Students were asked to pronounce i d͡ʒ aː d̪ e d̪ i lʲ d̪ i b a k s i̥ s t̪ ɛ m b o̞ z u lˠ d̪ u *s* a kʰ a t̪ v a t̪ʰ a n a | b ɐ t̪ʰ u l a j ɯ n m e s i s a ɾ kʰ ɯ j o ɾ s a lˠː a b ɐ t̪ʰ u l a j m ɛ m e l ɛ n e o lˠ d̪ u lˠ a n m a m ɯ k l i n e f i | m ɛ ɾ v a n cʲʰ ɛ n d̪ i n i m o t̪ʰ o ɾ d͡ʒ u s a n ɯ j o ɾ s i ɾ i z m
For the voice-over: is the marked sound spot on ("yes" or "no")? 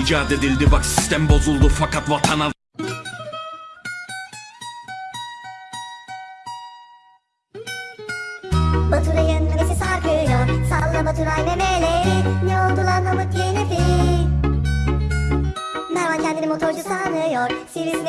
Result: no